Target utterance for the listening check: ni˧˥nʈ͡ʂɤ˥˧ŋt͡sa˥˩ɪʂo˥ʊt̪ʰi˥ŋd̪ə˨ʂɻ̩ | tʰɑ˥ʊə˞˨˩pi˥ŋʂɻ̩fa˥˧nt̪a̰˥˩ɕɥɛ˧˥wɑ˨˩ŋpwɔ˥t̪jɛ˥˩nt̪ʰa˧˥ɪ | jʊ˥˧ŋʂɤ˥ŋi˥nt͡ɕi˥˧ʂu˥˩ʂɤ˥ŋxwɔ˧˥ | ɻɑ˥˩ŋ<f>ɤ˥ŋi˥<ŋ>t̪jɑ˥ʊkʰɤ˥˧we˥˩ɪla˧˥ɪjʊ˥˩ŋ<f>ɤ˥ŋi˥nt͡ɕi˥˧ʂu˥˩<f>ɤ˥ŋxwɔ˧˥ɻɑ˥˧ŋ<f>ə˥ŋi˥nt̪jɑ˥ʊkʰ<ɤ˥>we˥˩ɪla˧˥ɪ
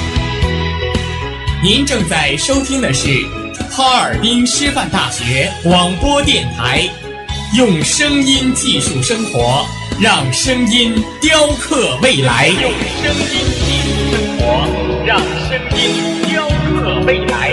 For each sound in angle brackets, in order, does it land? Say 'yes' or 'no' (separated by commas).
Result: no, no, no, no, no, no